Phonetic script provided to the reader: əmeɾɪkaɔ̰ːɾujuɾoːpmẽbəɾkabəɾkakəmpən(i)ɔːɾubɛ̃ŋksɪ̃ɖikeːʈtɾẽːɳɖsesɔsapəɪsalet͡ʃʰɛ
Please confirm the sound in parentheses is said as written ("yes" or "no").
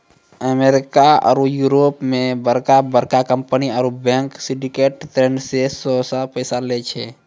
yes